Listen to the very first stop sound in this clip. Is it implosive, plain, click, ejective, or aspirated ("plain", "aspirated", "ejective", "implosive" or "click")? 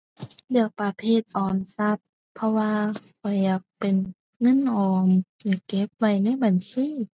plain